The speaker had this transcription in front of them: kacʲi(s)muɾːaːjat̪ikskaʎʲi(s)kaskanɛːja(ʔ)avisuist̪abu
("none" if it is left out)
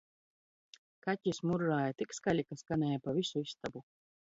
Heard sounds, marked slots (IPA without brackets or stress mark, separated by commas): s, none, p